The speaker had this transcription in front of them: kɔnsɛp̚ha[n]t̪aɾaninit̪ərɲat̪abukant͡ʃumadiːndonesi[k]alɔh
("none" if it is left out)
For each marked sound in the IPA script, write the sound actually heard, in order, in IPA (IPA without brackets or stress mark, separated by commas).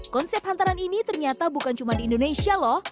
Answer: n, none